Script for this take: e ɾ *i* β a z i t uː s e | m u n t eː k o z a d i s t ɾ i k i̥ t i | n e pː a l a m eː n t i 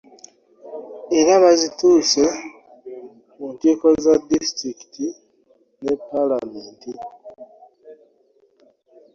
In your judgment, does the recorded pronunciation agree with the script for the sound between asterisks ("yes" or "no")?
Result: no